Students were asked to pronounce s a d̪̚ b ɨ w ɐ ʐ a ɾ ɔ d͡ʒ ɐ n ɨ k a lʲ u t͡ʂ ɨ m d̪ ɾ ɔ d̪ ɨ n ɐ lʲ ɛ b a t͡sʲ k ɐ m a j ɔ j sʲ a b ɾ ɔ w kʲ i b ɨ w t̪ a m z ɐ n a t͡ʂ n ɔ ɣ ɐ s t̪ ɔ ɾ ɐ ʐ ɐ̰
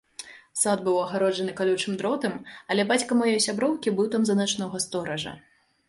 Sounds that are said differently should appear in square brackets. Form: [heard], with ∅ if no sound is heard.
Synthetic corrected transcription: s a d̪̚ b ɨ w ɐ [ɣ] a ɾ ɔ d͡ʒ ɐ n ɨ k a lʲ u t͡ʂ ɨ m d̪ ɾ ɔ [t̪] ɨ [m] ɐ lʲ ɛ b a t͡sʲ k ɐ m a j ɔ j sʲ a b ɾ ɔ w kʲ i b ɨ w t̪ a m z ɐ n a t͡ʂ n ɔ ɣ ɐ s t̪ ɔ ɾ ɐ ʐ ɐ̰